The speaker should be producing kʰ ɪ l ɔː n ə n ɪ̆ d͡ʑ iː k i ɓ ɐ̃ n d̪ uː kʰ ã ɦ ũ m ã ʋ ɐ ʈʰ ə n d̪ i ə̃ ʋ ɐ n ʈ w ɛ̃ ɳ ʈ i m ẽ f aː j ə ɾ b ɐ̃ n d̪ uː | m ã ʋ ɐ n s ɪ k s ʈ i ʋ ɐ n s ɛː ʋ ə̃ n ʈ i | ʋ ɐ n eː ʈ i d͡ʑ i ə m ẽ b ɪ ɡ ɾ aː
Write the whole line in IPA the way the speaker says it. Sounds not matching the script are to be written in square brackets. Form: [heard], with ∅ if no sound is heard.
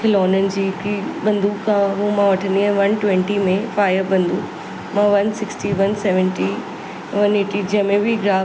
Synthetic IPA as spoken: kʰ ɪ l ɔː n ə n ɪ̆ d͡ʑ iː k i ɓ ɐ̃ n d̪ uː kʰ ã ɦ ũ m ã ʋ ɐ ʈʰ ə n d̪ i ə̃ ʋ ɐ n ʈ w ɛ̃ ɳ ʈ i m ẽ f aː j ə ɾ b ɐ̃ n d̪ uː | m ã ʋ ɐ n s ɪ k s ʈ i ʋ ɐ n s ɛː ʋ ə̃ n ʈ i | ʋ ɐ n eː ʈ i d͡ʑ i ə m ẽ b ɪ ɡ ɾ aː